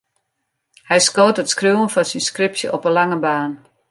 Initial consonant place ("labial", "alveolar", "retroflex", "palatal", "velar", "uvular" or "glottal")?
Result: glottal